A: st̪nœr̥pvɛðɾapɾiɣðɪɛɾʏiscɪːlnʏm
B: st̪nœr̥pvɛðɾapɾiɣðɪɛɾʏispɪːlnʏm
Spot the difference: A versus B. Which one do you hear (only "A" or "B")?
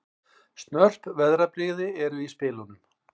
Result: B